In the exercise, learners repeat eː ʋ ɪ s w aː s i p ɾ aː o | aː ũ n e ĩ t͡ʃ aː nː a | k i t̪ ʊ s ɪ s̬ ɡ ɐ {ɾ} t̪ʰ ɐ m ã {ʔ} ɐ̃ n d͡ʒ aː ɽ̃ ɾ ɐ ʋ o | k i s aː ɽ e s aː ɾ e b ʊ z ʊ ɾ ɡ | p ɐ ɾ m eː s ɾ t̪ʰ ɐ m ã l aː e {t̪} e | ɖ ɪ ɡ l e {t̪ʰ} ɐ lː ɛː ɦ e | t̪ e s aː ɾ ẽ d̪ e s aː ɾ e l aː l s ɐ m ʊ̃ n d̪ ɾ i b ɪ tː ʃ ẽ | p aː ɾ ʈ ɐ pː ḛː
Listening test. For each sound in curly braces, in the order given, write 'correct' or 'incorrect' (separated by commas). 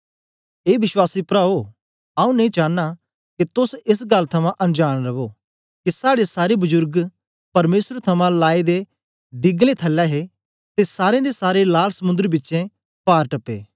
incorrect, correct, incorrect, correct